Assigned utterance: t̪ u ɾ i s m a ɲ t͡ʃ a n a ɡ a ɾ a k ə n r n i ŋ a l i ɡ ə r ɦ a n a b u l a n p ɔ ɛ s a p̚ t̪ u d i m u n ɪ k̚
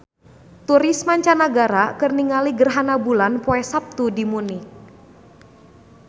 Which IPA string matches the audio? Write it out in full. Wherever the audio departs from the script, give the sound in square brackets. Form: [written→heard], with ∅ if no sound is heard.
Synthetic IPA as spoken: t̪ u ɾ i s m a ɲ t͡ʃ a n a ɡ a ɾ a k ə [n→∅] r n i ŋ a l i ɡ ə r ɦ a n a b u l a n p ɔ ɛ s a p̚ t̪ u d i m u n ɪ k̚